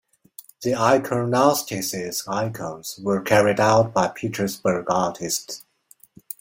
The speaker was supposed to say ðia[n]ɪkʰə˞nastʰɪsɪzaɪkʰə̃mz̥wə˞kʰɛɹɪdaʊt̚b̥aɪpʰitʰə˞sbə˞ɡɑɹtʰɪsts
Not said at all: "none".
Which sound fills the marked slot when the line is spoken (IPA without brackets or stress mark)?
none